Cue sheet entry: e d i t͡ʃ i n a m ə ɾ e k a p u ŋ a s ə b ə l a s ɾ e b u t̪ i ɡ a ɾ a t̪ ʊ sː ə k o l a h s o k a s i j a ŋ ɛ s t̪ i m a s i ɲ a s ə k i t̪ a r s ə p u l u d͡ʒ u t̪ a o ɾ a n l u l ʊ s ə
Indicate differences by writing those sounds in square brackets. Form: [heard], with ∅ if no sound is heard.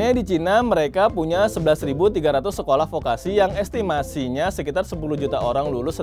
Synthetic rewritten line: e d i t͡ʃ i n a m ə ɾ e k a p u [ɲ] a s ə b ə l a s ɾ [i] b u t̪ i ɡ a ɾ a t̪ ʊ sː ə k o l a h [f] o k a s i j a ŋ ɛ s t̪ i m a s i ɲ a s ə k i t̪ a r s ə p u l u d͡ʒ u t̪ a o ɾ a [ŋ] l u l ʊ s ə